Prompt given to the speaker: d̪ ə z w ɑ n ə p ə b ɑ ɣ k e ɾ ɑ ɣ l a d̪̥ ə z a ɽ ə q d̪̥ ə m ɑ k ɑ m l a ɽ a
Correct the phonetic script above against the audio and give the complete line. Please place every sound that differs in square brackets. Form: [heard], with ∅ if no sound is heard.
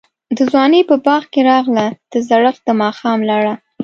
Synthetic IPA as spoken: d̪ ə z w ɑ n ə p ə b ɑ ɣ k e ɾ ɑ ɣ l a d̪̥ ə z a ɽ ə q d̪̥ ə m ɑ [x] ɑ m l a ɽ a